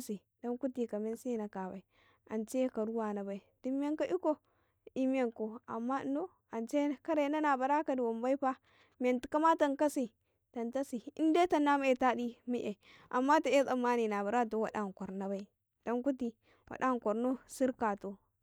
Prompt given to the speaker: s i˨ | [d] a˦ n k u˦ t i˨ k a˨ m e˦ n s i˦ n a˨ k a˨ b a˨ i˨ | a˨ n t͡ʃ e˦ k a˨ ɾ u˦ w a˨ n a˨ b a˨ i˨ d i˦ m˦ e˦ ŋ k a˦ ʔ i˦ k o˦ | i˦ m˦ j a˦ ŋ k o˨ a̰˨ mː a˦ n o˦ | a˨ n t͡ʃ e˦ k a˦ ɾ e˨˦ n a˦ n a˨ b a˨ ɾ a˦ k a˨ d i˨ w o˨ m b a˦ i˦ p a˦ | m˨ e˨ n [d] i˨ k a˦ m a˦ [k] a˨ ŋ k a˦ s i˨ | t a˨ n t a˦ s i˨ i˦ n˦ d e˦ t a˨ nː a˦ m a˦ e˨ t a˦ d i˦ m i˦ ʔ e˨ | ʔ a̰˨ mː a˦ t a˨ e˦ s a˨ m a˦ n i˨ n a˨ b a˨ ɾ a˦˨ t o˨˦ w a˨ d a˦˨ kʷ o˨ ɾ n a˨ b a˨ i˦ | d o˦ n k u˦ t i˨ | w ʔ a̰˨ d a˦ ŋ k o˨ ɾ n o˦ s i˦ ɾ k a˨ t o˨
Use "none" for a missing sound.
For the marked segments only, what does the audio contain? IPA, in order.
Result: d, t, t

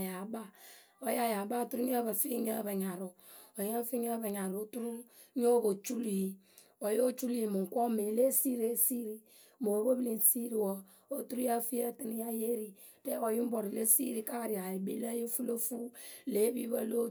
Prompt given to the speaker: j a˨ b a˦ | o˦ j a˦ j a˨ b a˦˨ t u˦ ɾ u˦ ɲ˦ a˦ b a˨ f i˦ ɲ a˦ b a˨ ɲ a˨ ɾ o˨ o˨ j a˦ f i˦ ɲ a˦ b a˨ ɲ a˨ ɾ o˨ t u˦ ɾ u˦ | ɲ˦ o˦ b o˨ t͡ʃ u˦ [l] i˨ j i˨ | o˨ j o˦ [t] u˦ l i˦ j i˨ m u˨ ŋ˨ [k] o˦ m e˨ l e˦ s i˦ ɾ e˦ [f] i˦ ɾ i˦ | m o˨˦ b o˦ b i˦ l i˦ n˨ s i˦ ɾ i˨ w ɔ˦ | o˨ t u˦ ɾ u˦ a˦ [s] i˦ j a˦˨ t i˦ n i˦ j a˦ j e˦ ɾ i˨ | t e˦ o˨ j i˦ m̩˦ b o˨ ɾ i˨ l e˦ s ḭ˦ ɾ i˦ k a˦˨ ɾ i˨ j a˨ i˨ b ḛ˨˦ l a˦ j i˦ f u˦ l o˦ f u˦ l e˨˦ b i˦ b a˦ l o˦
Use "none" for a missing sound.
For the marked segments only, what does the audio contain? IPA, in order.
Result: l, t͡ʃ, k, s, f

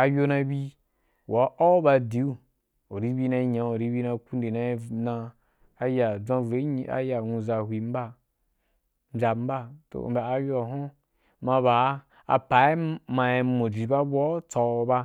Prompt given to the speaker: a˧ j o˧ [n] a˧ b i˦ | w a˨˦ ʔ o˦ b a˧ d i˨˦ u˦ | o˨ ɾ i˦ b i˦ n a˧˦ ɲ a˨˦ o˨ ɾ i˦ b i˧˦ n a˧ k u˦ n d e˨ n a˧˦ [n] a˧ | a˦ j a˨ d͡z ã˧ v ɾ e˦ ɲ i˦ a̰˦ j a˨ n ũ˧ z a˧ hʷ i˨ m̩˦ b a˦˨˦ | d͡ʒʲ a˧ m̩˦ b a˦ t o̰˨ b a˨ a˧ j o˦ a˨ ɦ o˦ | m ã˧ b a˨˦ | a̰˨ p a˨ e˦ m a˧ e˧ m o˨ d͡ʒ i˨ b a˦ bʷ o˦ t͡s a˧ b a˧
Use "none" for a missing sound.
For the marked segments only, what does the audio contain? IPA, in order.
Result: n, n

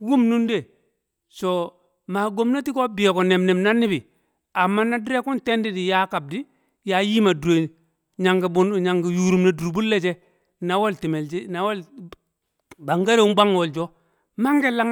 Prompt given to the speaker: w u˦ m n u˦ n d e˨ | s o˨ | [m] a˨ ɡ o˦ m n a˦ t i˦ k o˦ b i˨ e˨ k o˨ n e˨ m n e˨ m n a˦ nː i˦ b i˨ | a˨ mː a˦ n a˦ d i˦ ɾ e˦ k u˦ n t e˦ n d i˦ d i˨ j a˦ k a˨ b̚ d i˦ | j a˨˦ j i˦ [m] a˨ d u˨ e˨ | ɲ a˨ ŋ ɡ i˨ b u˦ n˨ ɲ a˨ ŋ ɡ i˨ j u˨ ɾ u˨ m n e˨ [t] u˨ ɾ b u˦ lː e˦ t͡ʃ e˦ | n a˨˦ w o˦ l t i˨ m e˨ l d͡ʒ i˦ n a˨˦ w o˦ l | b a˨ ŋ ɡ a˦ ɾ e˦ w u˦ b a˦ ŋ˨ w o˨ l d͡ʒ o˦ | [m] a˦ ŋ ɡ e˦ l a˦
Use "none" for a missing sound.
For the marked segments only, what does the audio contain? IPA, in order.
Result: m, m, d, m

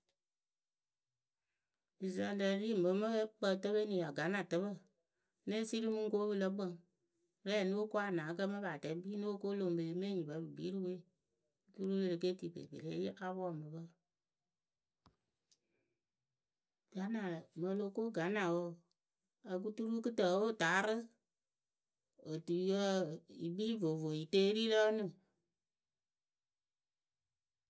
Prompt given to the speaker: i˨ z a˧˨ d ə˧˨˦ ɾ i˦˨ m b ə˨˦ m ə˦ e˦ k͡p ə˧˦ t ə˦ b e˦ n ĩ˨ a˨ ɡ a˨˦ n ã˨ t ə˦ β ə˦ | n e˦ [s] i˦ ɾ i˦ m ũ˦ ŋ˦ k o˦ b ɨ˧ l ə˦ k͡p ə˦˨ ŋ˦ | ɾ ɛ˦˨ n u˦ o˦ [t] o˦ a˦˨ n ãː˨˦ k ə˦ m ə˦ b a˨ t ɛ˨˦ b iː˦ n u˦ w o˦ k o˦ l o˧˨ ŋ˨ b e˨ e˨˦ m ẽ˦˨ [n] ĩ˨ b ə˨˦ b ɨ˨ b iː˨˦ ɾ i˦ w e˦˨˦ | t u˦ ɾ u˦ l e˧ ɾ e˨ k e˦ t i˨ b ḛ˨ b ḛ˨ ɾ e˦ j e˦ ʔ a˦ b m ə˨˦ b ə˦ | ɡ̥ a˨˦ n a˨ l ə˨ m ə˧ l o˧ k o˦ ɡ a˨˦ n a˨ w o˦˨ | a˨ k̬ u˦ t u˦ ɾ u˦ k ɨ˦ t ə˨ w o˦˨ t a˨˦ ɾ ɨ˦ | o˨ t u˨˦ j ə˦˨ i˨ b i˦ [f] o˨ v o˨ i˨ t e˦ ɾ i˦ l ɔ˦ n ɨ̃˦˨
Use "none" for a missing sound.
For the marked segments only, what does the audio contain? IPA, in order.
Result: s, k, ɲ, v

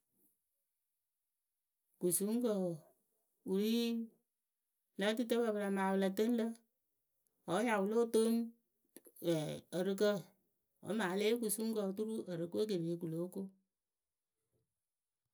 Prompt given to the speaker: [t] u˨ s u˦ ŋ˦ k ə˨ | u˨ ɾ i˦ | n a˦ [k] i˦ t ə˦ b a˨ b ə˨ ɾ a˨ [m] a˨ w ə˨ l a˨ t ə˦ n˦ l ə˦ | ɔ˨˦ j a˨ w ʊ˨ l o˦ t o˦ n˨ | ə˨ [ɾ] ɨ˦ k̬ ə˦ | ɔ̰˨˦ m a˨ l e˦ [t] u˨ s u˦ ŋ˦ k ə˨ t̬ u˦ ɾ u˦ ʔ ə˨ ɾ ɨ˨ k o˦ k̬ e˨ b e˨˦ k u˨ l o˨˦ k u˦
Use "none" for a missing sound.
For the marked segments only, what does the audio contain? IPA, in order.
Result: k, t, m, ɾ, k

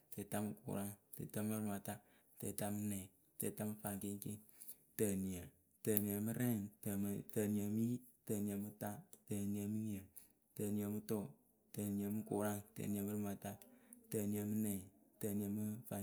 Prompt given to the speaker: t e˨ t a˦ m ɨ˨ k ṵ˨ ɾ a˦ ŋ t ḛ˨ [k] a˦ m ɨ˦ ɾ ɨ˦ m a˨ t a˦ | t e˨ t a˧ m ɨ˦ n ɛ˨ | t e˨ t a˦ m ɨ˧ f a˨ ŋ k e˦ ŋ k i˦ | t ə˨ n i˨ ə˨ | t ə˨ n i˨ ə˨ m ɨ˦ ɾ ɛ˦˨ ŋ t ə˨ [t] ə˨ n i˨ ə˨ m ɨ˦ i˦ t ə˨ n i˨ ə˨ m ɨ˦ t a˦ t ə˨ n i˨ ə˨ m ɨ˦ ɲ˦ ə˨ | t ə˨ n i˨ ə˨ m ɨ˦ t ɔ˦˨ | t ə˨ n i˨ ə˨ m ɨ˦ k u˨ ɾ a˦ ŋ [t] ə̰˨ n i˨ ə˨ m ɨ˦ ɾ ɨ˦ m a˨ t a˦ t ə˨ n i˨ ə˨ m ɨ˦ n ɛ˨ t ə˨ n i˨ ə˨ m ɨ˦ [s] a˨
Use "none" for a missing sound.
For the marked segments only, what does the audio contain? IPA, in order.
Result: t, t, t, f

